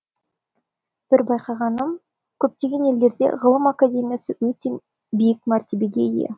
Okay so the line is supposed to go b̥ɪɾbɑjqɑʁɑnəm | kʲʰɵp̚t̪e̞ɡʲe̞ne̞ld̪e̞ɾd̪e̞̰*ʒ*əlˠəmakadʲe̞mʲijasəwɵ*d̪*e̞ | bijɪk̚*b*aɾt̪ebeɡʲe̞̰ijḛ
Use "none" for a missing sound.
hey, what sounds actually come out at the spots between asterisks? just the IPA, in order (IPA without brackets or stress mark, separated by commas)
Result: ʁ, t̪, m